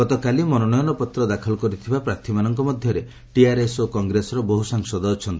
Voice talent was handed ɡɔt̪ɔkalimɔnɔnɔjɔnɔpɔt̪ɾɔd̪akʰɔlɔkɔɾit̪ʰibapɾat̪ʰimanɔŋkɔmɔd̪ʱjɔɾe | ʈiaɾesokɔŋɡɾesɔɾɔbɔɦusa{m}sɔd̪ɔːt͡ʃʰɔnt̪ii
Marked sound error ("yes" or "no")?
yes